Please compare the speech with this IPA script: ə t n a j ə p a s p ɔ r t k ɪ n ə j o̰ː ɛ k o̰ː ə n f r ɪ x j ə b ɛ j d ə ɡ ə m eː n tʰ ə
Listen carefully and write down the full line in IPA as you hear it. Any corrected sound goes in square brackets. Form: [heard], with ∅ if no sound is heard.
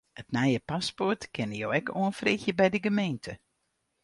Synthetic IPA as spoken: ə t n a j ə p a s p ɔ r t k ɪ n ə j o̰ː ɛ k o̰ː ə n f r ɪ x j ə b ɛ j d ə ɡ ə m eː n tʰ ə